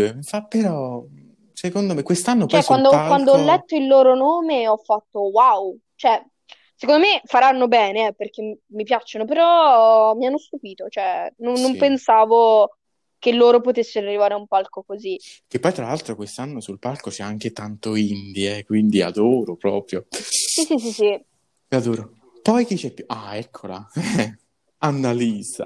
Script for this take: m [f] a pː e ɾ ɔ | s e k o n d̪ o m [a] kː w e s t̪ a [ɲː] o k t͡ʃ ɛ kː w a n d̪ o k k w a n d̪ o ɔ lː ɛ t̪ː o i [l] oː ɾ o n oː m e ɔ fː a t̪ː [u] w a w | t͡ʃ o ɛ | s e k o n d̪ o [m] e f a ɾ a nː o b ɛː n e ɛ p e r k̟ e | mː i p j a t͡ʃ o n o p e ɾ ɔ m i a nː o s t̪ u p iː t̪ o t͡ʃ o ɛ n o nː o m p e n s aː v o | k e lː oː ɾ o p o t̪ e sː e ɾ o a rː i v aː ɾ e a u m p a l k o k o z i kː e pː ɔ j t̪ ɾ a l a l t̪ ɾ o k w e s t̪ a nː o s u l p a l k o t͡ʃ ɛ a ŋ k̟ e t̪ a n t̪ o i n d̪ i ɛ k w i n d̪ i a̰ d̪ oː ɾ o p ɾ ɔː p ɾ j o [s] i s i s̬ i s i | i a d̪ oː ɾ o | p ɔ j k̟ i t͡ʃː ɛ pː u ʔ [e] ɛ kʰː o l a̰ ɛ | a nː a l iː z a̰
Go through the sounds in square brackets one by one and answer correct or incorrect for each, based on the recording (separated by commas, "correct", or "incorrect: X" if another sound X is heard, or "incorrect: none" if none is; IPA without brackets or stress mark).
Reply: correct, incorrect: e, incorrect: nː, incorrect: lː, incorrect: o, correct, correct, incorrect: a